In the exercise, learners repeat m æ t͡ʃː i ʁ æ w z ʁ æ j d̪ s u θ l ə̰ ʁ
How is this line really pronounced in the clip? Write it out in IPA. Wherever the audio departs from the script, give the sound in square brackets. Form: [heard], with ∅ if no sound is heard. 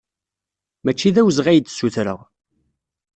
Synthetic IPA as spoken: m æ t͡ʃː i [ð] æ w z ʁ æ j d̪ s u θ [ɾ] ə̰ ʁ